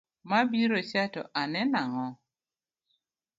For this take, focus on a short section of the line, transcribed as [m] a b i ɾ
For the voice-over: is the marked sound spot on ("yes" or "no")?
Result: yes